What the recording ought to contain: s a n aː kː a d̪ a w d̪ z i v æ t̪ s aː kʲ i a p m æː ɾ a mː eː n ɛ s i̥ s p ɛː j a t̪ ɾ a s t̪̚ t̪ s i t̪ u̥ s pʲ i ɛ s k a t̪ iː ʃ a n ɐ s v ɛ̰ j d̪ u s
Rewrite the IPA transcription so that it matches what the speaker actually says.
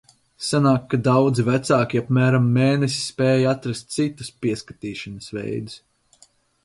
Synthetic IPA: s a n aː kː a d̪ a w d̪ z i v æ t̪ s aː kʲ i a p m æː ɾ a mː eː n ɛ s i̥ s p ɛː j a t̪ ɾ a s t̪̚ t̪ s i t̪ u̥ s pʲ i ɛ s k a t̪ iː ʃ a n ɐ s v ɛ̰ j d̪ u s